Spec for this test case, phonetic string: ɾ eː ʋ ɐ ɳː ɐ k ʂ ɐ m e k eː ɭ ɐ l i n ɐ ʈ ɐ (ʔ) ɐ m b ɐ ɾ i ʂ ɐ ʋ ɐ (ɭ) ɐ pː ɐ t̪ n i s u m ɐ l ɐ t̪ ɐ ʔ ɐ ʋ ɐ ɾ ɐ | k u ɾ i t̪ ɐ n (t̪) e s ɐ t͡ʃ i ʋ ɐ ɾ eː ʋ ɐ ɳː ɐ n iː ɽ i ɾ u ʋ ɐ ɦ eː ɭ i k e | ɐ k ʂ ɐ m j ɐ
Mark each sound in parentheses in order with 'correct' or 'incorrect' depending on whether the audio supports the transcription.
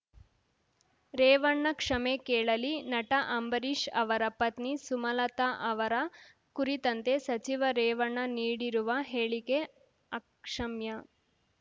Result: correct, incorrect, correct

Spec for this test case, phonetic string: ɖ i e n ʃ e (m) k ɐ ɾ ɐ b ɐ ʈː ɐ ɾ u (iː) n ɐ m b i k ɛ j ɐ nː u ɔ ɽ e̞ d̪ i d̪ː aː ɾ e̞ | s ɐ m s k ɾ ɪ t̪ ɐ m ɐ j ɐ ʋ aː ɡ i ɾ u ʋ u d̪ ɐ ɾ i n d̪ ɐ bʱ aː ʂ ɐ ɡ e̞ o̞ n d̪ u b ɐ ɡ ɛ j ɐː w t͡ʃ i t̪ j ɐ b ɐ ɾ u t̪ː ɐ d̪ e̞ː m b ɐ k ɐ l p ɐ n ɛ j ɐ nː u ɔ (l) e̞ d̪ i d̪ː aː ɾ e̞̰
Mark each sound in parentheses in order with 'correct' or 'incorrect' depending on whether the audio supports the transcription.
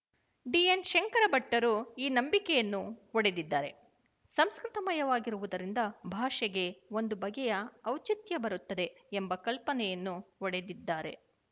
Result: incorrect, correct, incorrect

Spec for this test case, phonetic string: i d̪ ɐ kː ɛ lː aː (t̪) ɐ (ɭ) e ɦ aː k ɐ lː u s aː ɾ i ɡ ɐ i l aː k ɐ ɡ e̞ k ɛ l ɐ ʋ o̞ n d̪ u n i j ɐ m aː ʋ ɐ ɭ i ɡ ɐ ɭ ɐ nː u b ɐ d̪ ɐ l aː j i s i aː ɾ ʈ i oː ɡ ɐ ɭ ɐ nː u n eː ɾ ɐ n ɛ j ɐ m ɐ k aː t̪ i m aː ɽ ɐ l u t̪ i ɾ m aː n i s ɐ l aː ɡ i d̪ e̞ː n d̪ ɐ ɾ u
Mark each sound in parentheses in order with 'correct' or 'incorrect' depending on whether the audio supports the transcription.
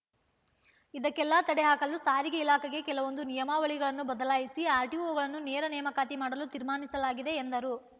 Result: correct, incorrect

